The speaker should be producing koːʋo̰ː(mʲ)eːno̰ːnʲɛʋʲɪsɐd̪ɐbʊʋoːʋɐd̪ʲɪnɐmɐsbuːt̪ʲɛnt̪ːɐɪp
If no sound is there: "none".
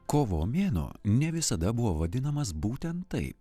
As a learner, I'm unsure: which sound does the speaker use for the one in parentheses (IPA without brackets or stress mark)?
mʲ